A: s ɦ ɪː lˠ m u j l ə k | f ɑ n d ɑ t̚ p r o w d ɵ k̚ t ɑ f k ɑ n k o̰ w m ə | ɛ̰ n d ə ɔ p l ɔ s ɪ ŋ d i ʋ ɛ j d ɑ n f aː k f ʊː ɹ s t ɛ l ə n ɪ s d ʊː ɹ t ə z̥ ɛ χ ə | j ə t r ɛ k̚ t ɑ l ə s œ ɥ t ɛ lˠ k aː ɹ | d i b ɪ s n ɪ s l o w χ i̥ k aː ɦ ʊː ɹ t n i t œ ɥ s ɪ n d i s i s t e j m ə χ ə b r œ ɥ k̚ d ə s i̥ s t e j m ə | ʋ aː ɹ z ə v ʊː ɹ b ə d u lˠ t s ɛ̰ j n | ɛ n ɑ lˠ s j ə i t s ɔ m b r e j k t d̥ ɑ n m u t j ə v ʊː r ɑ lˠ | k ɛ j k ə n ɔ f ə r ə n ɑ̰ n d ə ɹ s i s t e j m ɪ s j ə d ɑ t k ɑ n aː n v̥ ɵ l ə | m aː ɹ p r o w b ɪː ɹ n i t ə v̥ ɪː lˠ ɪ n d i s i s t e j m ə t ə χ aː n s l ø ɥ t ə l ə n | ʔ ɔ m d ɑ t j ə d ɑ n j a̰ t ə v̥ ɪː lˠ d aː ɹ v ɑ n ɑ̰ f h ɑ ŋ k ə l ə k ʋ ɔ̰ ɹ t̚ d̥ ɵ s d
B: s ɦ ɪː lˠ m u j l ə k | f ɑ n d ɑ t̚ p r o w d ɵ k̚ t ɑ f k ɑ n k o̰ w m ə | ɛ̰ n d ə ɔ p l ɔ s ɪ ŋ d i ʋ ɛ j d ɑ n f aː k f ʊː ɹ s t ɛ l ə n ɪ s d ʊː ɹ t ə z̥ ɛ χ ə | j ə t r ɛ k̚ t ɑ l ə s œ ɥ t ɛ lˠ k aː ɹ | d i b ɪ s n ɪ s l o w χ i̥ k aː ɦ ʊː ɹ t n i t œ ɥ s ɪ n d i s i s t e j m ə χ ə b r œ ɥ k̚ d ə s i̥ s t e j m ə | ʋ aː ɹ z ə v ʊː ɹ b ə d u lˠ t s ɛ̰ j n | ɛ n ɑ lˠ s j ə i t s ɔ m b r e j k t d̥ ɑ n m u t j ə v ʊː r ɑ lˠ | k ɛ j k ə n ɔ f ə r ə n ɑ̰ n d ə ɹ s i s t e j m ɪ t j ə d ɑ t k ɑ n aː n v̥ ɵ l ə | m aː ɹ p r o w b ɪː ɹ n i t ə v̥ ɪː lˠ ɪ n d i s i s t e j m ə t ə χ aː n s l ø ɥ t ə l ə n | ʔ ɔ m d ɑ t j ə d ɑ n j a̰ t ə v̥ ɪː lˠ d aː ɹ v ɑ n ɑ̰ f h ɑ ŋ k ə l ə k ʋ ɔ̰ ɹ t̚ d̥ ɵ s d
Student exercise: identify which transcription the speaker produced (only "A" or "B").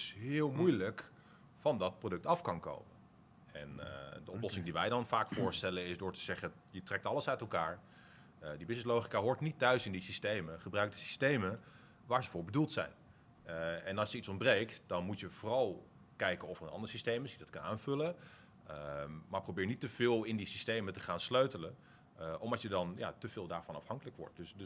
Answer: A